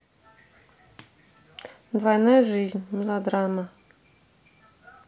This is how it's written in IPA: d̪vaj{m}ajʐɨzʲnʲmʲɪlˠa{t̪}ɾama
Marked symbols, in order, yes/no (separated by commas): no, no